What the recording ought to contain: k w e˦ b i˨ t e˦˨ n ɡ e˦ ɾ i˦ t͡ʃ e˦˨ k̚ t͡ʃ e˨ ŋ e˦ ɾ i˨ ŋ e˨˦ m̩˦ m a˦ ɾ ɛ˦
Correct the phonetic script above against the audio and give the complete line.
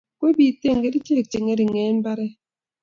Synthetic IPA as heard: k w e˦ b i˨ t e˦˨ ŋ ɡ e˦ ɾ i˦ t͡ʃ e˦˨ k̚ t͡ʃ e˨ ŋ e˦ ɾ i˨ ŋ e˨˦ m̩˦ b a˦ ɾ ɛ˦